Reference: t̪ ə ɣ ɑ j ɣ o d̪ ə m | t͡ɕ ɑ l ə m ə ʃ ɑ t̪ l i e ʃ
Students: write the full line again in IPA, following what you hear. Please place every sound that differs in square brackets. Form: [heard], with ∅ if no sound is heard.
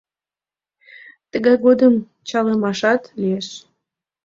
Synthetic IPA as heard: t̪ ə ɣ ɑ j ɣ o d̪ ə m | t͡ɕ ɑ l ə m [ɑ] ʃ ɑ t̪ l i e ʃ

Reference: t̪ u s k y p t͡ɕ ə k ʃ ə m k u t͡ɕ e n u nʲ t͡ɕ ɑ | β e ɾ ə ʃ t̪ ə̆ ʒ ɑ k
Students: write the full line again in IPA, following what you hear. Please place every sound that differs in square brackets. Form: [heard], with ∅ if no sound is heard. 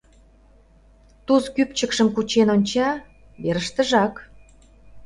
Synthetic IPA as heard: t̪ u s k y p t͡ɕ ə k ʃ ə m k u t͡ɕ e n [o] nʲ t͡ɕ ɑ | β e ɾ ə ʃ t̪ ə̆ ʒ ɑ k

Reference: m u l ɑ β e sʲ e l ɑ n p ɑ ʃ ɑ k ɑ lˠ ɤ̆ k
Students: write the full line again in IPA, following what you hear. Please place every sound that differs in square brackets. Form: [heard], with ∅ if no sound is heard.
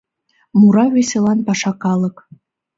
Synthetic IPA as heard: m u [ɾ] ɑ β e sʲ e l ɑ n p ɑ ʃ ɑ k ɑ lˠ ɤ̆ k

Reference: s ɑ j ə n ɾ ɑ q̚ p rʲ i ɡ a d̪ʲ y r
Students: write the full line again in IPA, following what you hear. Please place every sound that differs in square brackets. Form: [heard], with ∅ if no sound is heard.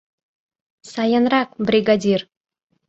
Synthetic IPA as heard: s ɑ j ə n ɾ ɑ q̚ [b] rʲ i ɡ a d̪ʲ [i] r

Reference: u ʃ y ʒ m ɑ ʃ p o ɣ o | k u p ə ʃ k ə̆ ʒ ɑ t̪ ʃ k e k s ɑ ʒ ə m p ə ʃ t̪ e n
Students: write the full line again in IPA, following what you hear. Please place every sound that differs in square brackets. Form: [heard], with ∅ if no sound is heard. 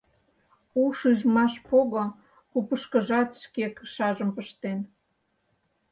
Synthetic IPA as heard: u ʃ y ʒ m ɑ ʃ p o ɣ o | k u p ə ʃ k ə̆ ʒ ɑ t̪ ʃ k e k [ʃ] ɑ ʒ ə m p ə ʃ t̪ e n

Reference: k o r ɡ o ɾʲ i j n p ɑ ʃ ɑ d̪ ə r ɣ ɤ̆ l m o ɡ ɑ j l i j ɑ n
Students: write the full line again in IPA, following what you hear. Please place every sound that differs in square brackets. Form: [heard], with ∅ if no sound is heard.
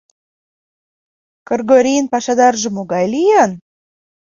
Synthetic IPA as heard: k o r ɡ o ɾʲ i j n p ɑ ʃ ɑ d̪ [ɑ] r [ʒ] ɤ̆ [∅] m o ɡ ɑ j l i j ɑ n

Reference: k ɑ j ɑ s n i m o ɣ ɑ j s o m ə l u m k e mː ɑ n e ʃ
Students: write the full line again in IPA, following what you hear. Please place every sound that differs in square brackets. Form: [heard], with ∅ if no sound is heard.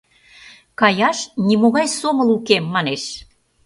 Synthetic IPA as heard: k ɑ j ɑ [ʃ] n i m o ɣ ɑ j s o m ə l u [∅] k e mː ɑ n e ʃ

